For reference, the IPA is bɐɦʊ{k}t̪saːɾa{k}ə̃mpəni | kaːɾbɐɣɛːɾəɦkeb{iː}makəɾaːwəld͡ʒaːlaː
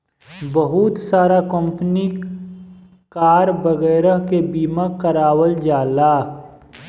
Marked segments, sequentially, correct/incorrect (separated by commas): incorrect, correct, correct